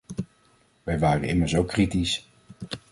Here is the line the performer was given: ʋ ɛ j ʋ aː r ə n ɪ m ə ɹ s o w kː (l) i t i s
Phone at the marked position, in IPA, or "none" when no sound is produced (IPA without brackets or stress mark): r